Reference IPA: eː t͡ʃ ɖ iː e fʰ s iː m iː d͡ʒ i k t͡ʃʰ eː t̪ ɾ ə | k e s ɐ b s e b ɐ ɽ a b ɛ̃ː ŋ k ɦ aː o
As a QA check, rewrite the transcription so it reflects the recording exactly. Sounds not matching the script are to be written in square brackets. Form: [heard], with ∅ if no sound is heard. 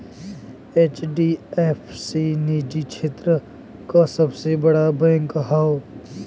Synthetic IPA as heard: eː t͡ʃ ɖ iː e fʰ s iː [n] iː d͡ʒ i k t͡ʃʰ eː t̪ ɾ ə | k [a] s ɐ b s e b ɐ ɽ a b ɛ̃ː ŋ k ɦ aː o